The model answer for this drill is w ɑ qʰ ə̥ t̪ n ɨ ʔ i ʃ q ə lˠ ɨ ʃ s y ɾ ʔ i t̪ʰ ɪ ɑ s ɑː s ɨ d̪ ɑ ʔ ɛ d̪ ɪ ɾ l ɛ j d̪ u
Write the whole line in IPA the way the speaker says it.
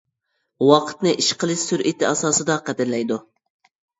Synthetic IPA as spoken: w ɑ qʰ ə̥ t̪ n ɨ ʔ i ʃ q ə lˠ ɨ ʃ s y ɾ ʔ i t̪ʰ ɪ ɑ s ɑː s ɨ d̪ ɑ q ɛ d̪ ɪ ɾ l ɛ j d̪ u